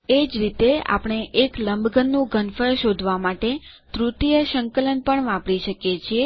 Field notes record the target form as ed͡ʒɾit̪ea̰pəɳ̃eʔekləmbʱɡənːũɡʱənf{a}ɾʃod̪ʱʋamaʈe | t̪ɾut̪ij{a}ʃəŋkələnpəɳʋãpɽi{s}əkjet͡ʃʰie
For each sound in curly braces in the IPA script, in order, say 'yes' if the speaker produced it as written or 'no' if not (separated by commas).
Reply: no, no, no